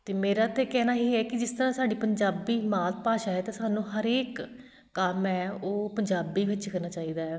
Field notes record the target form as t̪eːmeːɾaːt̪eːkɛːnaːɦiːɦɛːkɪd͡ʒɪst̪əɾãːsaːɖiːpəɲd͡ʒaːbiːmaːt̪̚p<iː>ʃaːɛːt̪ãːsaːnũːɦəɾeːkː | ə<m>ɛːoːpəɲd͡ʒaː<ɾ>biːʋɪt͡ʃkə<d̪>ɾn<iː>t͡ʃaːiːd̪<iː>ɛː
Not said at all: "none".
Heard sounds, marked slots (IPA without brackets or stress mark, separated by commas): aː, m, none, none, aː, aː